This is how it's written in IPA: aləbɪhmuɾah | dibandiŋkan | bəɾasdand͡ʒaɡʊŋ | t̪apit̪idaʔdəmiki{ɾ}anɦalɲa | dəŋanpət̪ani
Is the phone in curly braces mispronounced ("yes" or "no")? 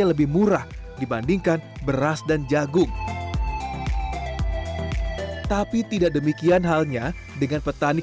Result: yes